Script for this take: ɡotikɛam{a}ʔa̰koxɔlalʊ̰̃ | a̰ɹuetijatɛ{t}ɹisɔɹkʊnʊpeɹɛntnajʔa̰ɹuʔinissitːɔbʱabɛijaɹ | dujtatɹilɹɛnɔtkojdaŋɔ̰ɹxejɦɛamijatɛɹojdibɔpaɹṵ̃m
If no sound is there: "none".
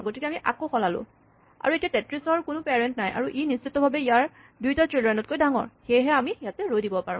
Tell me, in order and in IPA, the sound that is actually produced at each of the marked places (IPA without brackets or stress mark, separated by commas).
i, t